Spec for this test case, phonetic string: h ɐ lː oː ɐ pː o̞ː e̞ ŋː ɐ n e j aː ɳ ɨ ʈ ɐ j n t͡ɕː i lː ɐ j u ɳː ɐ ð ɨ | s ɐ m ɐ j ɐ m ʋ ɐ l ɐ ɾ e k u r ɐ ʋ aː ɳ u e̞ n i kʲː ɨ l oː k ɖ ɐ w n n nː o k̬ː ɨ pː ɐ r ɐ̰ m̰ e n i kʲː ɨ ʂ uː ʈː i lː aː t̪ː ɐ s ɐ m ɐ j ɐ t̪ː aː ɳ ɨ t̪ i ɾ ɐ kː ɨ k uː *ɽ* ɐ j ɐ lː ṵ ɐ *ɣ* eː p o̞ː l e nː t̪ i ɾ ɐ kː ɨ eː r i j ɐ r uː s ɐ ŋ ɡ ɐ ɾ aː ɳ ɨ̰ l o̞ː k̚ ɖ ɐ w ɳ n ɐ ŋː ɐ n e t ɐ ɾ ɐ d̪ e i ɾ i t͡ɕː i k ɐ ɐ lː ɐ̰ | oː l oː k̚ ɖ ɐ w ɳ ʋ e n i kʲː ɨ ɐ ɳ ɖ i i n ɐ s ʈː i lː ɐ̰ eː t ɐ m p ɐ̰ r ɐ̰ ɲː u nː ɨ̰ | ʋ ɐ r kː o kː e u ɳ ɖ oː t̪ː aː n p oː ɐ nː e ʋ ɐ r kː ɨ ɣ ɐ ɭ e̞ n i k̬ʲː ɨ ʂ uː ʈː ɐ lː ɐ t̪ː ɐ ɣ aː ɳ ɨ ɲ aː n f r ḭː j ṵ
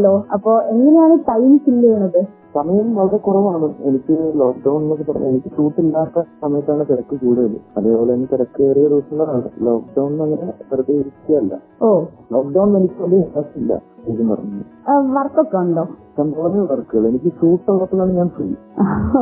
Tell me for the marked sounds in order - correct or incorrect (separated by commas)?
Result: correct, incorrect